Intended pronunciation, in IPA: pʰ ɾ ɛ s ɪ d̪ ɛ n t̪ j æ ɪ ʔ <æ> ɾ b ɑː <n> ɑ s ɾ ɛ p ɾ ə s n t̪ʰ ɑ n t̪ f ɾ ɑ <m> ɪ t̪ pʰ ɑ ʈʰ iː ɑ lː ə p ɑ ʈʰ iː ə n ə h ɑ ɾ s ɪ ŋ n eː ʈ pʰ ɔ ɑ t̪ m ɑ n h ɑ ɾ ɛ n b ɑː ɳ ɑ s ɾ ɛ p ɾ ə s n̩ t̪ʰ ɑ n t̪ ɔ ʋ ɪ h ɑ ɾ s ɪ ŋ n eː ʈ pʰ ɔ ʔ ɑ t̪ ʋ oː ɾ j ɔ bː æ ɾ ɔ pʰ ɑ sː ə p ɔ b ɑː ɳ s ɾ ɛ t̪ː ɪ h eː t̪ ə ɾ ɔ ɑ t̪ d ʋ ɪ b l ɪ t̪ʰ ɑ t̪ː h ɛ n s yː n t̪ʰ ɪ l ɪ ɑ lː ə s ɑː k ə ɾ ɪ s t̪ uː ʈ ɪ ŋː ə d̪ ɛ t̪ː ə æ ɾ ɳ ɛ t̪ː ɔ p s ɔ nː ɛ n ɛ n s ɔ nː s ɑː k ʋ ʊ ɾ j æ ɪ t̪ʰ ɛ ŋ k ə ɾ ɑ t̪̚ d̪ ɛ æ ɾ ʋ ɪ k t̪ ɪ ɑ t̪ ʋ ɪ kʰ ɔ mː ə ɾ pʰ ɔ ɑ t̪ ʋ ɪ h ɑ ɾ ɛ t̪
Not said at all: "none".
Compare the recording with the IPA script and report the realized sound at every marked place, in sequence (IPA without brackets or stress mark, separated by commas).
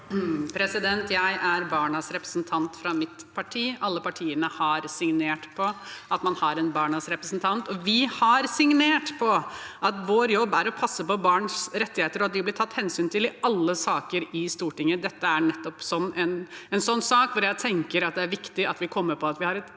æ, ɳ, m